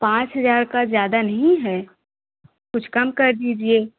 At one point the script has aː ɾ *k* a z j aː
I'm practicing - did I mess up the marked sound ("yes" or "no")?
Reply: no